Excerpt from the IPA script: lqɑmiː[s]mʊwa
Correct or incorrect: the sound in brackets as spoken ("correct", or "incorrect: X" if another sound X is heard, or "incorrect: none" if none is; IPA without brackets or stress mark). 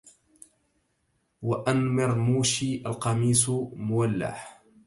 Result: correct